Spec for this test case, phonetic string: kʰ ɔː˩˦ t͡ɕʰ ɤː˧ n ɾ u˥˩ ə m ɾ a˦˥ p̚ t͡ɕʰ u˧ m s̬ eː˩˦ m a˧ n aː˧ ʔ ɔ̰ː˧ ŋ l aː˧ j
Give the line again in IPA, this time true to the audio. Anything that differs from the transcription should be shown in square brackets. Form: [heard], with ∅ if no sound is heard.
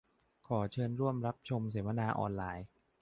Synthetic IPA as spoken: kʰ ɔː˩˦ t͡ɕʰ ɤː˧ n ɾ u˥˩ ə m ɾ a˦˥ p̚ t͡ɕʰ [o˧] m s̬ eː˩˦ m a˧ n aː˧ ʔ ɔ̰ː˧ [n] l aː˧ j